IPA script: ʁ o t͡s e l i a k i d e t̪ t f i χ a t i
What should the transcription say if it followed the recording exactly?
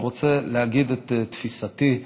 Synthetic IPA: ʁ o t͡s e l e a ɡ i d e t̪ t f i s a t i